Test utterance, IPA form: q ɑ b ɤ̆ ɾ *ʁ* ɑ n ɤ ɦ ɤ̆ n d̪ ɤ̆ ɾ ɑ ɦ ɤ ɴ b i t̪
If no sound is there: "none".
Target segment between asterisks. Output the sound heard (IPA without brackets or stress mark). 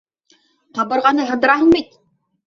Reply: ʁ